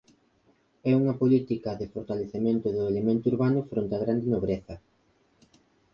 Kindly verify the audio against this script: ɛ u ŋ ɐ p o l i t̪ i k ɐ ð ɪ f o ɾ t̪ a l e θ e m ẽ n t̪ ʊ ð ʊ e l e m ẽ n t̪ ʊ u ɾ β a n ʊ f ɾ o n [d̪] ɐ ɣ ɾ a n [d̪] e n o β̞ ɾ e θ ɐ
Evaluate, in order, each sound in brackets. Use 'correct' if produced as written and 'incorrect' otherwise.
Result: incorrect, correct

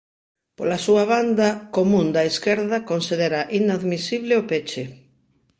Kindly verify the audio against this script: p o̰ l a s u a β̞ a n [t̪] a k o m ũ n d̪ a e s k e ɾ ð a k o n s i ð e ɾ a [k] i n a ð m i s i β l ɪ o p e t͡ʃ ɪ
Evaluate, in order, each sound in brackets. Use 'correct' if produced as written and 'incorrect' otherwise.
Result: incorrect, incorrect

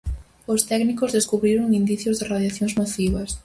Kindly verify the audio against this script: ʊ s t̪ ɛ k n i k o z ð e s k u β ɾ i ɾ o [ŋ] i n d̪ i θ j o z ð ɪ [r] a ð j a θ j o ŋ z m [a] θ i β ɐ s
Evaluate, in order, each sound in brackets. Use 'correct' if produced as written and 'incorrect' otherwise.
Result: correct, correct, correct

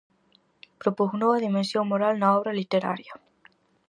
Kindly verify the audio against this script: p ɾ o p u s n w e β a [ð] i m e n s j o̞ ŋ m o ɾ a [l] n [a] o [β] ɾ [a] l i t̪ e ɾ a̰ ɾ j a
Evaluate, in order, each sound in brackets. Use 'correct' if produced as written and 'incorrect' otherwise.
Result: correct, correct, correct, correct, correct

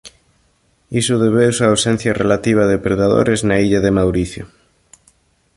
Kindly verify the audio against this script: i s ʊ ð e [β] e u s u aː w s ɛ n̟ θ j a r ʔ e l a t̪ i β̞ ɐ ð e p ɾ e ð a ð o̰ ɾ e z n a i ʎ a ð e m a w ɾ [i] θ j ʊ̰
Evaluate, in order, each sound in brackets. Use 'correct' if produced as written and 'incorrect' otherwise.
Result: correct, correct

